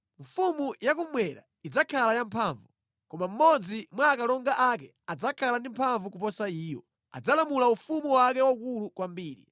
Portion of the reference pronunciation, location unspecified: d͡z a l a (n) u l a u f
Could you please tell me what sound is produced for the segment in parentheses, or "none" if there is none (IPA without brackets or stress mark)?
m